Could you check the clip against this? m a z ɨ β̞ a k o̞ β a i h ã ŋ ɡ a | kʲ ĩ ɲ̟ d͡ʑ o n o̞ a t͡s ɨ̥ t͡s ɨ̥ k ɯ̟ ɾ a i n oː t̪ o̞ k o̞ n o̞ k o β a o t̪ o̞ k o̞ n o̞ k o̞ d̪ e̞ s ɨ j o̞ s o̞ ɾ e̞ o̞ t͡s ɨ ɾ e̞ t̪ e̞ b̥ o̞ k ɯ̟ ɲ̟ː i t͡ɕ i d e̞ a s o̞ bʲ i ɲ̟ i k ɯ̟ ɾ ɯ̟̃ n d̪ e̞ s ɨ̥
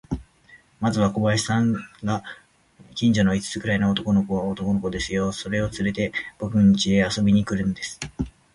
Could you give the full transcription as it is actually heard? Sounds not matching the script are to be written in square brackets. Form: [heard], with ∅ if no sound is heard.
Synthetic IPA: m a z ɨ β̞ a k o̞ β a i [s] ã ŋ ɡ a | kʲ ĩ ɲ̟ d͡ʑ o n o̞ [i] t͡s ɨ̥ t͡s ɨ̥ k ɯ̟ ɾ a i n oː t̪ o̞ k o̞ n o̞ k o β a o t̪ o̞ k o̞ n o̞ k o̞ d̪ e̞ s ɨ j o̞ s o̞ ɾ e̞ o̞ t͡s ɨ ɾ e̞ t̪ e̞ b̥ o̞ k ɯ̟ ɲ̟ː i t͡ɕ i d e̞ a s o̞ bʲ i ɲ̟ i k ɯ̟ ɾ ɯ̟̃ n d̪ e̞ s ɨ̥

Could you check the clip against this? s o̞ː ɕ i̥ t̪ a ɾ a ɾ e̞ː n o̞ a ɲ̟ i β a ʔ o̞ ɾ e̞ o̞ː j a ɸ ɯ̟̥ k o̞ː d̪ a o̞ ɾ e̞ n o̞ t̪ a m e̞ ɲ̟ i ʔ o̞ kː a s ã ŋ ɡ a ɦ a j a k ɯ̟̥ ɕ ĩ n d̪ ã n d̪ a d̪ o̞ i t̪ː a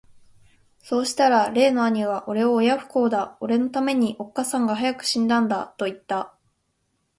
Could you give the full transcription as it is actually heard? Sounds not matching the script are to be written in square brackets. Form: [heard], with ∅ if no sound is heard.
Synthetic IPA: s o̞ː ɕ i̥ t̪ a ɾ a ɾ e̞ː n o̞ a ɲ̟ i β a ʔ o̞ ɾ e̞ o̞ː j a ɸ ɯ̟̥ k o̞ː d̪ a o̞ ɾ e̞ n o̞ t̪ a m e̞ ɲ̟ i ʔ o̞ kː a s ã ŋ ɡ a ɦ a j a k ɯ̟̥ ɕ ĩ n d̪ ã n d̪ a [t̪] o̞ i t̪ː a

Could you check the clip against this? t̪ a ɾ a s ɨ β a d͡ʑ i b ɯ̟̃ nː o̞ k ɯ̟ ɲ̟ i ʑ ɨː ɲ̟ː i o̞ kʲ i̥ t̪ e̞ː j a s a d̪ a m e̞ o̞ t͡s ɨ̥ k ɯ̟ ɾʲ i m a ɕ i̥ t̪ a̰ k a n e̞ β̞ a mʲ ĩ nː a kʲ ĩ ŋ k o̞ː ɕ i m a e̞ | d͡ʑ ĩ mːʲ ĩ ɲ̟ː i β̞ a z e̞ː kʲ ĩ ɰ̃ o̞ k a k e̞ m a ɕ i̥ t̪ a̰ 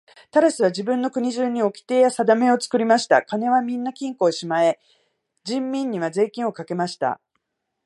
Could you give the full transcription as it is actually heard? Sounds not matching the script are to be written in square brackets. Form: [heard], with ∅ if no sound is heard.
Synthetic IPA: t̪ a ɾ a s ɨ β a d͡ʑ i b ɯ̟̃ nː o̞ k ɯ̟ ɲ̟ i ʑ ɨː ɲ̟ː i o̞ kʲ i̥ t̪ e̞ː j a s a d̪ a m e̞ o̞ t͡s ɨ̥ k ɯ̟ ɾʲ i m a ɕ i̥ t̪ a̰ k a n e̞ β̞ a mʲ ĩ nː a kʲ ĩ ŋ k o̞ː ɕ i m a e̞ | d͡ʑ ĩ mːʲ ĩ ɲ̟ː i β̞ a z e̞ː kʲ ĩ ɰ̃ o̞ k a k e̞ m a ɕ i̥ t̪ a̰

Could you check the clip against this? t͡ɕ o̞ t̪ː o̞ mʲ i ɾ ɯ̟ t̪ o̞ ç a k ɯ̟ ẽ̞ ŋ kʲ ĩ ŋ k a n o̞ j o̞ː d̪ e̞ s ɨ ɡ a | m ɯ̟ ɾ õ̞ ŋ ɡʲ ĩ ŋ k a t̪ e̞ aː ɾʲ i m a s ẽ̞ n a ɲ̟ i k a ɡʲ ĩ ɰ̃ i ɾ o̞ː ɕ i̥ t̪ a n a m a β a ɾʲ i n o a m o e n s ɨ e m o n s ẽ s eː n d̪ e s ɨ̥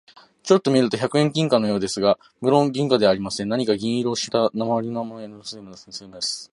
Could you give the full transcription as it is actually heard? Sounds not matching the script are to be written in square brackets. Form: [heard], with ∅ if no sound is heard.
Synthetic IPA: t͡ɕ o̞ t̪ː o̞ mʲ i ɾ ɯ̟ t̪ o̞ ç a k ɯ̟ ẽ̞ ŋ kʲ ĩ ŋ k a n o̞ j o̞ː d̪ e̞ s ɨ ɡ a | m ɯ̟ ɾ õ̞ ŋ ɡʲ ĩ ŋ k a [d̪] e̞ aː ɾʲ i m a s ẽ̞ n a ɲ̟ i k a ɡʲ ĩ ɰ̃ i ɾ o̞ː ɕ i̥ t̪ a n a m a β a ɾʲ i n o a m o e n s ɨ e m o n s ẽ s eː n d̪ e s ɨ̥

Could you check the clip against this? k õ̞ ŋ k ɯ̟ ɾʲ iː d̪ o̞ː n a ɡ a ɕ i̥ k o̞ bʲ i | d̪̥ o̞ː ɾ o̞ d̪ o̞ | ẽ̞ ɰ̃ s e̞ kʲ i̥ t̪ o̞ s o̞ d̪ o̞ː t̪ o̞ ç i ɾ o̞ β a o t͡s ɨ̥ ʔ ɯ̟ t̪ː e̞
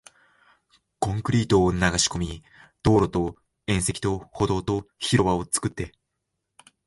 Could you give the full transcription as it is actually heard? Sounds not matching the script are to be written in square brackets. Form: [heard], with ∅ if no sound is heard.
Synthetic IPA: k õ̞ ŋ k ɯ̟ ɾʲ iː [t̪] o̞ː n a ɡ a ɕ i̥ k o̞ [mʲ] i | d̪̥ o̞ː ɾ o̞ [t̪] o̞ | ẽ̞ ɰ̃ s e̞ kʲ i̥ t̪ o̞ [h] o̞ d̪ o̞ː t̪ o̞ ç i ɾ o̞ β a o t͡s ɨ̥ [k] ɯ̟ t̪ː e̞

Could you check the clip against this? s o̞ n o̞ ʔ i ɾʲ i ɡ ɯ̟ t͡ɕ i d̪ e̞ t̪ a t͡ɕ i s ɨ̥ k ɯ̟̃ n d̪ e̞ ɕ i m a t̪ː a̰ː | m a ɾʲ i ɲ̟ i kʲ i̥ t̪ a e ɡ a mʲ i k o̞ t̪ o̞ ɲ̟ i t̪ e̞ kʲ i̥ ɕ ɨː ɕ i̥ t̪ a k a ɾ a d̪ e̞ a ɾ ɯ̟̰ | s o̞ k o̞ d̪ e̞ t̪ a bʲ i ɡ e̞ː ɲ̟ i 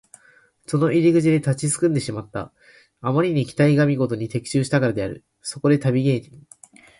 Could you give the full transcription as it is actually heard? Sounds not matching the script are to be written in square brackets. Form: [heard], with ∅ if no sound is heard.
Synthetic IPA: s o̞ n o̞ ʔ i ɾʲ i ɡ ɯ̟ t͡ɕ i d̪ e̞ t̪ a t͡ɕ i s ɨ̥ k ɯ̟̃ n d̪ e̞ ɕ i m a t̪ː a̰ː | m a ɾʲ i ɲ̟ i kʲ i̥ t̪ a [i] ɡ a mʲ i [ɡ] o̞ t̪ o̞ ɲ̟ i t̪ e̞ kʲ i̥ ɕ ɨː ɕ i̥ t̪ a k a ɾ a d̪ e̞ a ɾ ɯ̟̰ | s o̞ k o̞ d̪ e̞ t̪ a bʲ i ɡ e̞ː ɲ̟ i

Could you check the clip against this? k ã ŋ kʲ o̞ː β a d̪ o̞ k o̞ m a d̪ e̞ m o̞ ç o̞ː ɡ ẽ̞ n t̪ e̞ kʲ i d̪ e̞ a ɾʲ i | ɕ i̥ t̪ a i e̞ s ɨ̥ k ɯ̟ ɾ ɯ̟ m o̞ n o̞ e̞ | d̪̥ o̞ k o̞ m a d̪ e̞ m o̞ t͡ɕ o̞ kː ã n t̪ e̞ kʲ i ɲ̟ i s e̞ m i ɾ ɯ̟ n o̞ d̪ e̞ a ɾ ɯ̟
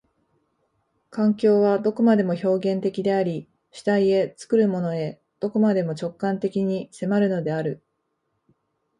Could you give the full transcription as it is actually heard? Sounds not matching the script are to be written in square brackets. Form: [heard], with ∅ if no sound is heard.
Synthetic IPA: k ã ŋ kʲ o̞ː β a d̪ o̞ k o̞ m a d̪ e̞ m o̞ ç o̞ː ɡ ẽ̞ n t̪ e̞ kʲ i d̪ e̞ a ɾʲ i | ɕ i̥ t̪ a i e̞ [t͡s] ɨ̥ k ɯ̟ ɾ ɯ̟ m o̞ n o̞ e̞ | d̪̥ o̞ k o̞ m a d̪ e̞ m o̞ t͡ɕ o̞ kː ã n t̪ e̞ kʲ i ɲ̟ i s e̞ m [a] ɾ ɯ̟ n o̞ d̪ e̞ a ɾ ɯ̟

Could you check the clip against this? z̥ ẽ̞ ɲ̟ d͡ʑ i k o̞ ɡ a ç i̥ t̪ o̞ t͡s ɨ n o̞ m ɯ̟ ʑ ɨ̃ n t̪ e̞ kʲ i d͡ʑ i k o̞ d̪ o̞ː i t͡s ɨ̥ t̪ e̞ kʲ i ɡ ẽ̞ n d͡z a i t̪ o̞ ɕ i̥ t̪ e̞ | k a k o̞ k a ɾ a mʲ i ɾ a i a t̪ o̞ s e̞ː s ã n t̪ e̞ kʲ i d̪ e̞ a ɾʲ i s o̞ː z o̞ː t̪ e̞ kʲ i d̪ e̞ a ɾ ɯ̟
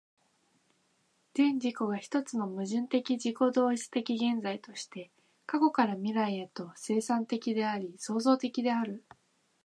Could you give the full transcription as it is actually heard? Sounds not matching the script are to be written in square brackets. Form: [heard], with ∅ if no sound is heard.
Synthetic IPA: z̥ ẽ̞ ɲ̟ d͡ʑ i k o̞ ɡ a ç i̥ t̪ o̞ t͡s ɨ n o̞ m ɯ̟ ʑ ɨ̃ n t̪ e̞ kʲ i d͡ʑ i k o̞ d̪ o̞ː i t͡s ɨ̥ t̪ e̞ kʲ i ɡ ẽ̞ n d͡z a i t̪ o̞ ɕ i̥ t̪ e̞ | k a k o̞ k a ɾ a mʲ i ɾ a i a t̪ o̞ s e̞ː s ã n t̪ e̞ kʲ i d̪ e̞ a ɾʲ i s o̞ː z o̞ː t̪ e̞ kʲ i d̪ e̞ a ɾ ɯ̟

